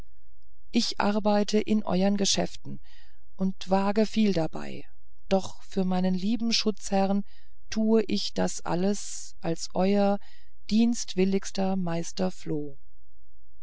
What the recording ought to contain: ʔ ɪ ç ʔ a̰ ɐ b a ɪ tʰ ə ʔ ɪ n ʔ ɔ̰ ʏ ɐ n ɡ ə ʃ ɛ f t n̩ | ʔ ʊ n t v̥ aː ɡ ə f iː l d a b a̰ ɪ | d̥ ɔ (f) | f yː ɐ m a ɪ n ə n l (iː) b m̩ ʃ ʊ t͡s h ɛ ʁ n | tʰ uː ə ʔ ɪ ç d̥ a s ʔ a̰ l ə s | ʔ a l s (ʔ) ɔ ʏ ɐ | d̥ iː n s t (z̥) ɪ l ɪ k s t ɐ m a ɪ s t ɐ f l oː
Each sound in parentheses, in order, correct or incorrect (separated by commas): incorrect, correct, correct, incorrect